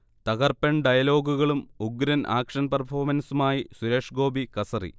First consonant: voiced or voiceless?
voiceless